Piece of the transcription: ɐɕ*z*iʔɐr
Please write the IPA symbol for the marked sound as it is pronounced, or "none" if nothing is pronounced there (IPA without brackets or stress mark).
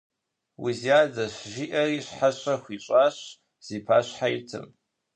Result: ʒ